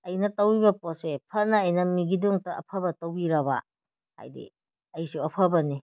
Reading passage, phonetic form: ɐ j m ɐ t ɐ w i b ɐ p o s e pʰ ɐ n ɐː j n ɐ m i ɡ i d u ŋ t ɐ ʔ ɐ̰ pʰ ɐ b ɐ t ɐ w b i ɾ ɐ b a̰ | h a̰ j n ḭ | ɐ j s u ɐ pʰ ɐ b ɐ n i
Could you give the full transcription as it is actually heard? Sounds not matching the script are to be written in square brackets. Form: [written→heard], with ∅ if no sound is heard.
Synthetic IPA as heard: ɐ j [m→n] ɐ t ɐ w i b ɐ p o s e pʰ ɐ n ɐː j n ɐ m i ɡ i d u ŋ t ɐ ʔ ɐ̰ pʰ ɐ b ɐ t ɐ w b i ɾ ɐ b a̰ | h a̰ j [n→d] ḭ | ɐ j s u ɐ pʰ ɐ b ɐ n i